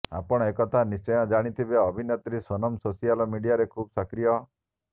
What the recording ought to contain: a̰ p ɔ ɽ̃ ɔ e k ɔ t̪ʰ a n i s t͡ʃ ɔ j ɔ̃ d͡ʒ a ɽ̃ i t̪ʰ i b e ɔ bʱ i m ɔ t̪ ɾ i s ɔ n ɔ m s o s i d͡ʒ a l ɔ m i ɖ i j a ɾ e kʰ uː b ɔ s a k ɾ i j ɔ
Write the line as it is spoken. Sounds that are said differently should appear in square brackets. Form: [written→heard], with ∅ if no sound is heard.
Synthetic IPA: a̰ p ɔ ɽ̃ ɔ e k ɔ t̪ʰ a n i s t͡ʃ ɔ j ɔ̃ d͡ʒ a ɽ̃ i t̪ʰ i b e ɔ bʱ i [m→n] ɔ t̪ ɾ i s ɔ n ɔ m s o s i [d͡ʒ→∅] a l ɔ m i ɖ i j a ɾ e kʰ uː b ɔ s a k ɾ i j ɔ